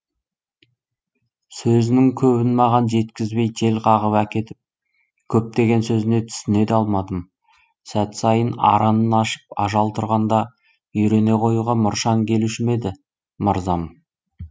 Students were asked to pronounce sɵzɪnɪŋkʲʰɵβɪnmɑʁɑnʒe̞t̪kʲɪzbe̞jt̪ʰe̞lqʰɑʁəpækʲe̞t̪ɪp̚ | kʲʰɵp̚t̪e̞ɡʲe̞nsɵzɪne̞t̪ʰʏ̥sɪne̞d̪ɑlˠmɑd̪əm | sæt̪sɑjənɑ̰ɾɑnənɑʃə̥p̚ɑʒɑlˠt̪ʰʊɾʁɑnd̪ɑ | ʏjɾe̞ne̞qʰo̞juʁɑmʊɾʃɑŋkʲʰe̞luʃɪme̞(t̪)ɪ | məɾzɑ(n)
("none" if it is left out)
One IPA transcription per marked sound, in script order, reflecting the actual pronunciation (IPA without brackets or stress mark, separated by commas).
d̪, m